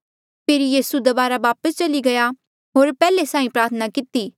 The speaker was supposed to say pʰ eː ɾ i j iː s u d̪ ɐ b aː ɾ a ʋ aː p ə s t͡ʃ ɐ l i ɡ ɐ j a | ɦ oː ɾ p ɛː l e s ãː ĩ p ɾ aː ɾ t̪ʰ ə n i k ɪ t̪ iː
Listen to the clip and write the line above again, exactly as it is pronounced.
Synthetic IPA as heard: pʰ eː ɾ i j iː s u d̪ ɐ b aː ɾ a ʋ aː p ə s t͡ʃ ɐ l i ɡ ɐ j a | ɦ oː ɾ p ɛː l e s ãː ĩ p ɾ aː ɾ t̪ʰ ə n a k ɪ t̪ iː

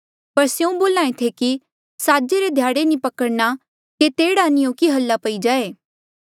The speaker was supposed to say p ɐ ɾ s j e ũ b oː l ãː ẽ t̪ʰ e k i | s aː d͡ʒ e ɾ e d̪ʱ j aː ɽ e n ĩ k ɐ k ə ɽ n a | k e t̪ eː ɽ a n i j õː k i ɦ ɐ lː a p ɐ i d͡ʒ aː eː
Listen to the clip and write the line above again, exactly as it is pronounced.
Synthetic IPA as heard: p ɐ ɾ s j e ũ b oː l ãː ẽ t̪ʰ e k i | s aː d͡ʒ e ɾ e d̪ʱ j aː ɽ e n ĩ p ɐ k ə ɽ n a | k e t̪ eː ɽ a n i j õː k i ɦ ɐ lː a p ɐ i d͡ʒ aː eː

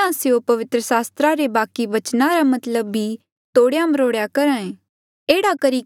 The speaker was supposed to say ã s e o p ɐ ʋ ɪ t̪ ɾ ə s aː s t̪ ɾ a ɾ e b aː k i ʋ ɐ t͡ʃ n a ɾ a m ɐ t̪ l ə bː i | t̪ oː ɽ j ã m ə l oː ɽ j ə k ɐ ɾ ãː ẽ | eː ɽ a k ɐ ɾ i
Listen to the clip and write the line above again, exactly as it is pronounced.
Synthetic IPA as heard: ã s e o p ɐ ʋ ɪ t̪ ɾ ə s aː s t̪ ɾ a ɾ e b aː k i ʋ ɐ t͡ʃ n a ɾ a m ɐ t̪ l ə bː i | t̪ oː ɽ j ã m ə ɾ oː ɽ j a k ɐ ɾ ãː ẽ | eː ɽ a k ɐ ɾ i

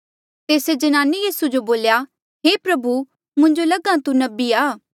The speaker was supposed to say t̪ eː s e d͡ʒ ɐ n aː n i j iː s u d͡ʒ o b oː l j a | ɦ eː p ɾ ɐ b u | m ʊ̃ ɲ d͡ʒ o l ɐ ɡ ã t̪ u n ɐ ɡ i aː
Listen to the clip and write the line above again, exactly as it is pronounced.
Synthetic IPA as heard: t̪ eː s e d͡ʒ ɐ n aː n i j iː s u d͡ʒ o b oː l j a | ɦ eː p ɾ ɐ b u | m ʊ̃ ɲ d͡ʒ o l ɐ ɡ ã t̪ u n ɐ b i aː

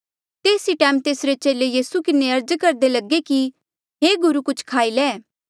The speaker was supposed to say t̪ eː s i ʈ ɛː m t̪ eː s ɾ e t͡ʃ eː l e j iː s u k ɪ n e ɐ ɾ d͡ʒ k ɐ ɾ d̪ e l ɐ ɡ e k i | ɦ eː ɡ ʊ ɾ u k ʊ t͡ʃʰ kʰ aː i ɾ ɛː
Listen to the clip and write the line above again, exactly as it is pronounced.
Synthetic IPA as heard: t̪ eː s i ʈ ɛː m t̪ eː s ɾ e t͡ʃ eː l e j iː s u k ɪ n e ɐ ɾ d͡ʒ k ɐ ɾ d̪ e l ɐ ɡ e k i | ɦ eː ɡ ʊ ɾ u k ʊ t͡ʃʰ kʰ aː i l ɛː

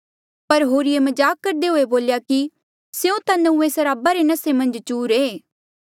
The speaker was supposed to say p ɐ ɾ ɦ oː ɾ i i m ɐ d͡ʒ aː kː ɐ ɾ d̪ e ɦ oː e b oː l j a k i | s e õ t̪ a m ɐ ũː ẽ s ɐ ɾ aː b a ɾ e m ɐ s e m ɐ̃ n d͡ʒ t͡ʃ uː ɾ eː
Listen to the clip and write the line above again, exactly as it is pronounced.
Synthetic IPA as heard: p ɐ ɾ ɦ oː ɾ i e m ɐ d͡ʒ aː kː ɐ ɾ d̪ e ɦ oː e b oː l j a k i | s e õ t̪ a n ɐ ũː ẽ s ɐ ɾ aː b a ɾ e n ɐ s e m ɐ̃ n d͡ʒ t͡ʃ uː ɾ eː

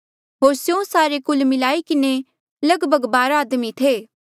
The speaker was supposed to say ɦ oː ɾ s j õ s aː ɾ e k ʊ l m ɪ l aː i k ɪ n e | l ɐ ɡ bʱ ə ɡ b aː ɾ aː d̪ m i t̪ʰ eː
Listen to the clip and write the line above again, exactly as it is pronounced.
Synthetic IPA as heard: ɦ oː ɾ s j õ s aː ɾ e k ʊ l m ɪ l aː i k ɪ n e | l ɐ ɡ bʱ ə ɡ b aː ɾ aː d̪ m i t̪ʰ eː

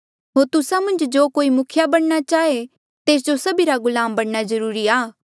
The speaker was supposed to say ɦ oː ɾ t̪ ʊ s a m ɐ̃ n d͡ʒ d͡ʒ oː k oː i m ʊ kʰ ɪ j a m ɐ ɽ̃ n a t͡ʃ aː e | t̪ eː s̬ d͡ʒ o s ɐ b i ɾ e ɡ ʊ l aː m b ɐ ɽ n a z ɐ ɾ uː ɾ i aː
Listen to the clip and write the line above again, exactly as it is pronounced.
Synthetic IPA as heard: ɦ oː ɾ t̪ ʊ s a m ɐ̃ n d͡ʒ d͡ʒ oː k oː i m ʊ kʰ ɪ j a b ɐ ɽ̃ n a t͡ʃ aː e | t̪ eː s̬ d͡ʒ o s ɐ b i ɾ a ɡ ʊ l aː m b ɐ ɽ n a z ɐ ɾ uː ɾ i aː

